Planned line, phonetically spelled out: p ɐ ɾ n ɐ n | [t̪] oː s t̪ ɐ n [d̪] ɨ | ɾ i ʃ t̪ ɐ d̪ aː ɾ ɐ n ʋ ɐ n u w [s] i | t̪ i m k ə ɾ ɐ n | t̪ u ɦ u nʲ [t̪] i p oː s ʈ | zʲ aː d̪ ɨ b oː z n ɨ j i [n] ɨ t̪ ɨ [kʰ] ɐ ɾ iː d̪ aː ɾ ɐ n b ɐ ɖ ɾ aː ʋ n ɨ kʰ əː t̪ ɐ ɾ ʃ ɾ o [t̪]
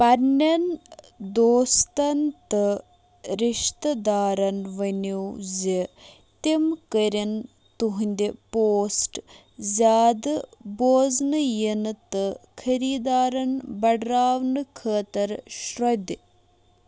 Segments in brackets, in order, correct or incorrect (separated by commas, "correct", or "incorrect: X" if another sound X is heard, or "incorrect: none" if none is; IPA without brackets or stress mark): incorrect: d̪, incorrect: t̪, incorrect: z, incorrect: d̪, correct, correct, incorrect: d̪